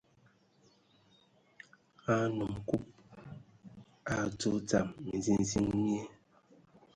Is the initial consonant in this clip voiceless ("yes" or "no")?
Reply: no